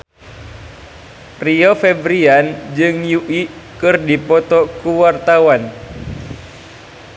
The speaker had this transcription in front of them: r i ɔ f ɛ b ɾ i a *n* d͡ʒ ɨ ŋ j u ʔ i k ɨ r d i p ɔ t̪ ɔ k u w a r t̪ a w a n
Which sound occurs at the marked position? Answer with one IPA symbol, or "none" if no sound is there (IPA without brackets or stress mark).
n